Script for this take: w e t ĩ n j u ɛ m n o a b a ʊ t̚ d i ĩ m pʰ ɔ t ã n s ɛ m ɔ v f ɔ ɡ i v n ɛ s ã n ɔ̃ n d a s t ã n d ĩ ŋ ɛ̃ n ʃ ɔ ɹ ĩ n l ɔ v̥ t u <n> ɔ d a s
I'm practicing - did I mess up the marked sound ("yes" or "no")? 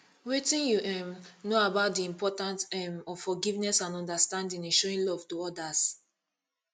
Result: yes